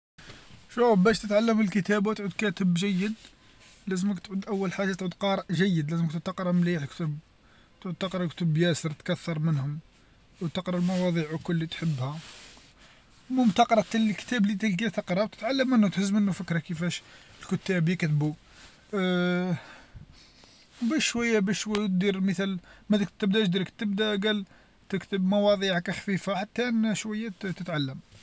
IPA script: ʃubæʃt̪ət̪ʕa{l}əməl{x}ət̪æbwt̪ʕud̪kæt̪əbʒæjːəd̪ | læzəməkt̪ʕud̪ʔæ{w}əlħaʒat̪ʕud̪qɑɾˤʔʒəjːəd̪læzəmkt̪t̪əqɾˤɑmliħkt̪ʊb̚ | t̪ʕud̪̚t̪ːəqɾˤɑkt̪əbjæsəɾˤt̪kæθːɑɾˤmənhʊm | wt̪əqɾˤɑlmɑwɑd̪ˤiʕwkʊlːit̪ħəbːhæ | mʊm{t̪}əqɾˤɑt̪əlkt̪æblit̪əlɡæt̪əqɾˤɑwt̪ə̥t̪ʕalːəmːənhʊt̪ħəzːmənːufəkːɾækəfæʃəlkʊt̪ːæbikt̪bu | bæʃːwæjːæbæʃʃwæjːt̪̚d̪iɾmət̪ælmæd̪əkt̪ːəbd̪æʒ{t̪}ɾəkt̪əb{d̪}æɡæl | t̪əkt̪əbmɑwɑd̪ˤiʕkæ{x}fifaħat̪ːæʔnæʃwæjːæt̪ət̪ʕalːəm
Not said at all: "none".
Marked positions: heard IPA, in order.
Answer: lː, k, wː, t̪, d̪, d̪, x

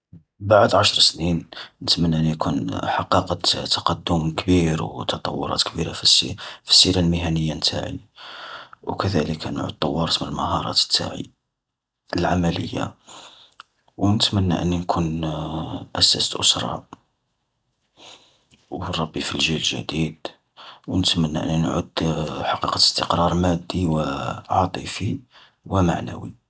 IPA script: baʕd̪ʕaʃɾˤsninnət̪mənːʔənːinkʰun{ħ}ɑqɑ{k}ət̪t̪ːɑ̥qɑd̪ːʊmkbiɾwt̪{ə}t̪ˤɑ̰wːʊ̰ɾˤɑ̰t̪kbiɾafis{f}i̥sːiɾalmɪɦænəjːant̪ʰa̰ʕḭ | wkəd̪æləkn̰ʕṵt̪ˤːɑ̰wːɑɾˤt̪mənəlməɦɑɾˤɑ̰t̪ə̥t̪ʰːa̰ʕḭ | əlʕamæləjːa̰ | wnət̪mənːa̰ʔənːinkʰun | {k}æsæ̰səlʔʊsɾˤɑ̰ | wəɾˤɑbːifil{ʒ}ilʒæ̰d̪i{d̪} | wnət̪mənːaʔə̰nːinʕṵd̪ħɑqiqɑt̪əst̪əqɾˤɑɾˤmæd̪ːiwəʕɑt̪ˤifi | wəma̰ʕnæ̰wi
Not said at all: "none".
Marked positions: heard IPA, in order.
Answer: ħ, q, ɑ, f, ʔ, ʒ, d̪

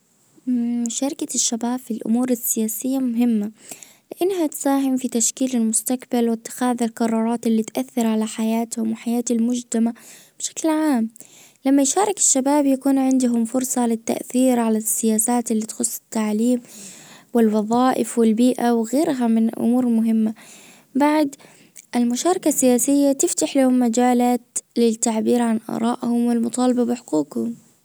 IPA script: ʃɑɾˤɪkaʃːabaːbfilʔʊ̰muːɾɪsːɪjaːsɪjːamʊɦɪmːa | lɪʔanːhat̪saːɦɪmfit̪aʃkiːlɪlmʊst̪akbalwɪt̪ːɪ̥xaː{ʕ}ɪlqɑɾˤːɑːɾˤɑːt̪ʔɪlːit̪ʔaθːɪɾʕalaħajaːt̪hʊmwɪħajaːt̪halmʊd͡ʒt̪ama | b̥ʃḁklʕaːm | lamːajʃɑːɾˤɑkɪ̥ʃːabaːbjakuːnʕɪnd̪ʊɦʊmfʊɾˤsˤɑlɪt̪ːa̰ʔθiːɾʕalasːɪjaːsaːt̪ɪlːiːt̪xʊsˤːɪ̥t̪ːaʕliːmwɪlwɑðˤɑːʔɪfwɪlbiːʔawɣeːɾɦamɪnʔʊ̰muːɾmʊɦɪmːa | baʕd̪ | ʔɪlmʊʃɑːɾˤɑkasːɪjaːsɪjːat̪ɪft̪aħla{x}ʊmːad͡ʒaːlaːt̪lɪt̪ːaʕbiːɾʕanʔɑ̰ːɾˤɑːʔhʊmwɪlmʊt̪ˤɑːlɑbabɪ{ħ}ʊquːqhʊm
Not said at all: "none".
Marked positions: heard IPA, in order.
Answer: ð, h, ħ

